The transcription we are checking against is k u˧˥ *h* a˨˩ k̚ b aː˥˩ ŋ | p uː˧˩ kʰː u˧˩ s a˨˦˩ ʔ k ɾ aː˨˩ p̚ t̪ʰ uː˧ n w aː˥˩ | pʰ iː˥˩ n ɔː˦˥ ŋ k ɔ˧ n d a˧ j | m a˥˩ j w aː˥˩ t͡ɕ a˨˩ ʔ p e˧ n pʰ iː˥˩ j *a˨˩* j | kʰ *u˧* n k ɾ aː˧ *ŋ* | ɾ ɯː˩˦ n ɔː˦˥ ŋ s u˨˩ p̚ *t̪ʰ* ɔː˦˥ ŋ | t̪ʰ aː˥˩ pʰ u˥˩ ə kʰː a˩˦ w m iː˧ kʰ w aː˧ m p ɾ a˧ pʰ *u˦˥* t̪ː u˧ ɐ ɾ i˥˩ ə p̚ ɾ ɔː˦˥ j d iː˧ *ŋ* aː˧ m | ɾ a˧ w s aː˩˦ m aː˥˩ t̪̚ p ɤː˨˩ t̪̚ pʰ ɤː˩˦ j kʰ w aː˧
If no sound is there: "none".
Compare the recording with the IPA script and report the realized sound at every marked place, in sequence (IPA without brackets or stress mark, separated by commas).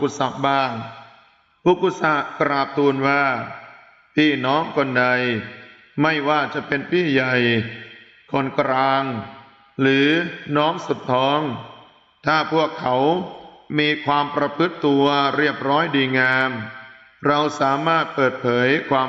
s, a˨˩, o˧, ŋ, t̪ʰ, ɯ˦˥, ŋ